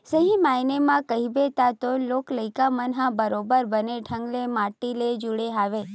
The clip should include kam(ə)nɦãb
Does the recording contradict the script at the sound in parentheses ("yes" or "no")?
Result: no